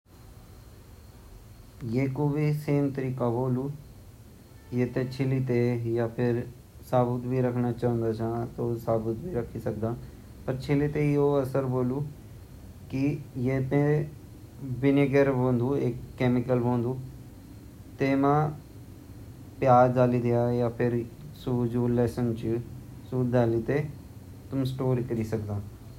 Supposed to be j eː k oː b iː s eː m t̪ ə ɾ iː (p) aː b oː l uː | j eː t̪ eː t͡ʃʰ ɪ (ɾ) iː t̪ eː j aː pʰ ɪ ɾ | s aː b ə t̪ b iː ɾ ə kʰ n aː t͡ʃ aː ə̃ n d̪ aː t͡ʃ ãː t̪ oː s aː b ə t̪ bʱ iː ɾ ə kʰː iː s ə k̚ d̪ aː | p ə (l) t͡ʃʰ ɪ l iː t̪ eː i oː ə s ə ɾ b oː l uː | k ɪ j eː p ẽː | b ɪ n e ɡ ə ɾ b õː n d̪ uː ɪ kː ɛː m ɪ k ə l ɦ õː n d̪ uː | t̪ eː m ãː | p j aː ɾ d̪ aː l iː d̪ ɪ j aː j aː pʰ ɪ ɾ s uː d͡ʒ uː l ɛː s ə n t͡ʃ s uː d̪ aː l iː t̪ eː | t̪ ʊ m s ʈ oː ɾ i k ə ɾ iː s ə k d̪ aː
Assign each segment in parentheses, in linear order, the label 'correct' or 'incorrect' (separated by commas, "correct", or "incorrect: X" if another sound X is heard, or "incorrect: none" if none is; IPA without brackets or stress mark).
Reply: incorrect: k, incorrect: l, incorrect: ɾ